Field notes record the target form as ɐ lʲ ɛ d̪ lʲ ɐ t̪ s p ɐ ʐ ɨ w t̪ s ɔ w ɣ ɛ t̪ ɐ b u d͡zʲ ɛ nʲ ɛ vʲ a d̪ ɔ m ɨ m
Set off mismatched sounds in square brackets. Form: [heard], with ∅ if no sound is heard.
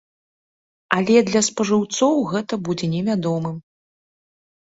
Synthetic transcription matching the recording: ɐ lʲ ɛ d̪ lʲ ɐ [∅] s p ɐ ʐ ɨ w t̪ s ɔ w ɣ ɛ t̪ ɐ b u d͡zʲ ɛ nʲ ɛ vʲ a d̪ ɔ m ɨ m